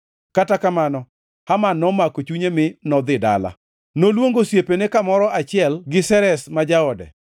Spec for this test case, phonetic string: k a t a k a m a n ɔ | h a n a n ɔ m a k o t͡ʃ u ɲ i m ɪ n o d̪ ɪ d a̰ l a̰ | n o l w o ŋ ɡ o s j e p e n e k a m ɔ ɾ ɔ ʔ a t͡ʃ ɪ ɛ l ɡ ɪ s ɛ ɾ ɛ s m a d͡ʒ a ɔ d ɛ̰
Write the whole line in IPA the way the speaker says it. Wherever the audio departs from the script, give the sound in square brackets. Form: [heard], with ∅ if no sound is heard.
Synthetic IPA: k a t a k a m a n ɔ | h a [m] a n ɔ m a k o t͡ʃ u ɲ [e] m ɪ n [ɔ] d̪ ɪ d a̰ l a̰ | n o l w o ŋ ɡ o s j e p e n e k a m ɔ ɾ ɔ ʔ a t͡ʃ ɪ ɛ l ɡ ɪ s ɛ ɾ ɛ s m a d͡ʒ a ɔ d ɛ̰